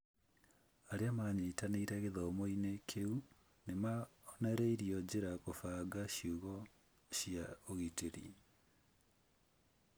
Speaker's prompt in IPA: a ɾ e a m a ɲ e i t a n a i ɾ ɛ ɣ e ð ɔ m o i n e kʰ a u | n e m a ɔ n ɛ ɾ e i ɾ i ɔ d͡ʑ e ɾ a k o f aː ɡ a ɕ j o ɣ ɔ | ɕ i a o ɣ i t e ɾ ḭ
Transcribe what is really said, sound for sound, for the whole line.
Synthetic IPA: a ɾ e a m a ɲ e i t a n e i ɾ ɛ ɣ e ð ɔ m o i n e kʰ e u | n e m a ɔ n ɛ ɾ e i ɾ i ɔ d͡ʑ e ɾ a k o f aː ɡ a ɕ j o ɣ ɔ | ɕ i a o ɣ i t e ɾ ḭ